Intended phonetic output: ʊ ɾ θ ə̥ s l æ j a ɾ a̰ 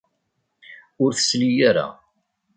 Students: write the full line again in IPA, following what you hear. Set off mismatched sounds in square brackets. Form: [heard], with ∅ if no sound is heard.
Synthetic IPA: ʊ ɾ θ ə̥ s l [i] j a ɾ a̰